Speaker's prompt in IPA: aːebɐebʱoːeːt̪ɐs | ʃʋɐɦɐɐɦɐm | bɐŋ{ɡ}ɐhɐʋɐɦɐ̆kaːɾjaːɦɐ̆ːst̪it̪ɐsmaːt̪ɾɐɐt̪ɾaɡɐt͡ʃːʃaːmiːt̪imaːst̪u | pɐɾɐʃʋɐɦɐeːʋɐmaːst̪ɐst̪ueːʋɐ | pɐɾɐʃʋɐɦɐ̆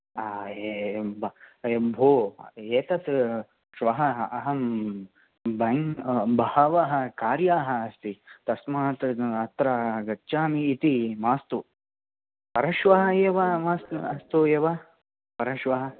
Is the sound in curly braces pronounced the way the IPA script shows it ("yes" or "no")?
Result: no